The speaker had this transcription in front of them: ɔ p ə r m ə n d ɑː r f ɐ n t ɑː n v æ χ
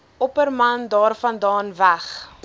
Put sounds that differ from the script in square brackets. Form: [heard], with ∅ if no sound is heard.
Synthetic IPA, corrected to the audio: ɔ p ə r m [ɐ] n d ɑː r f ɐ n [d] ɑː n v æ χ